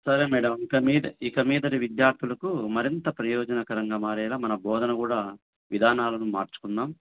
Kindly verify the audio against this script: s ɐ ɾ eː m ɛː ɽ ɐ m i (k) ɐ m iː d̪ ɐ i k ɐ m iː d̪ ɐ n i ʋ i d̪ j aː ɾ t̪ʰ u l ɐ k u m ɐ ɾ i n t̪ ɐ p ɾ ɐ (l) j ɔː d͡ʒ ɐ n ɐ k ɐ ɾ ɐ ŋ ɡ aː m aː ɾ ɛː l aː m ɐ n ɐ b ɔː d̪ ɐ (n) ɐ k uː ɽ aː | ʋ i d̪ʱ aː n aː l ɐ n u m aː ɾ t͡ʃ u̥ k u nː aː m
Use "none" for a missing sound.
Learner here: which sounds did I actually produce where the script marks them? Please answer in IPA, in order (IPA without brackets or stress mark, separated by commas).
k, none, n